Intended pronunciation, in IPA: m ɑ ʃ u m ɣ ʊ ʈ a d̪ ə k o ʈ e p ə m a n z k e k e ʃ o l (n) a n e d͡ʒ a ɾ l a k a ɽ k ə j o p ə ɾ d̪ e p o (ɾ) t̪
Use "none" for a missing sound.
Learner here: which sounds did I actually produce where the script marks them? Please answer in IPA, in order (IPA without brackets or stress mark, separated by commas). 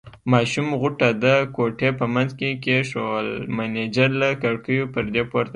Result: m, ɾ